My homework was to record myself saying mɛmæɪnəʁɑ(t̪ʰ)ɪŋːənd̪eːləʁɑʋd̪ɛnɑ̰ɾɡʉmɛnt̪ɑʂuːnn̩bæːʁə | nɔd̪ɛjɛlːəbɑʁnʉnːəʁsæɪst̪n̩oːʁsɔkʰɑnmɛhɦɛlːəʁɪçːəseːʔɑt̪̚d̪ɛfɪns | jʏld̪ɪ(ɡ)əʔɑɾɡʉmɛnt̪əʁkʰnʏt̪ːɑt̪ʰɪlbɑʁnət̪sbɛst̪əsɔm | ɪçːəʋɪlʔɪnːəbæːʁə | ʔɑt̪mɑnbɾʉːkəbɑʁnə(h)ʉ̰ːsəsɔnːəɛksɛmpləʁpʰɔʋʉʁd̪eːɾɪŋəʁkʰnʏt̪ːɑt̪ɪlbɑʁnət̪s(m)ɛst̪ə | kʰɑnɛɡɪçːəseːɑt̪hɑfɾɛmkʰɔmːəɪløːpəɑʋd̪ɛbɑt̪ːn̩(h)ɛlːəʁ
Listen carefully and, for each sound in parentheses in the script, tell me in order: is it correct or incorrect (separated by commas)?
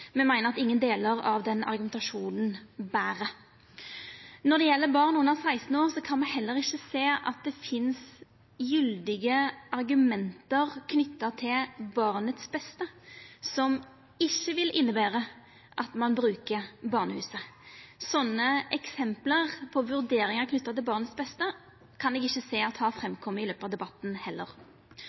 incorrect, correct, correct, incorrect, correct